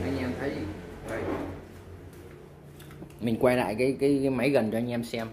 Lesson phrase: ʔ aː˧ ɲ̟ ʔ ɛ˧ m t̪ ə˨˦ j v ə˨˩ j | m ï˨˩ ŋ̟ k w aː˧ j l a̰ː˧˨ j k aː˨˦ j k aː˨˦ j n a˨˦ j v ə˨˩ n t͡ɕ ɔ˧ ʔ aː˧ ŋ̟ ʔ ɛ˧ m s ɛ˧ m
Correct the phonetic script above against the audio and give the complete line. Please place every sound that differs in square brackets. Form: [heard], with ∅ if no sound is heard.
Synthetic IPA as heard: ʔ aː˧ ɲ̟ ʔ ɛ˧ m [t̪ʰ] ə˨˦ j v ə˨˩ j | m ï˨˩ ŋ̟ k w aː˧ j l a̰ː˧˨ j k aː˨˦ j k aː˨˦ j [m] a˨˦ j [ɣ] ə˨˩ n t͡ɕ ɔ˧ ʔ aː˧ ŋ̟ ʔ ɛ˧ m s ɛ˧ m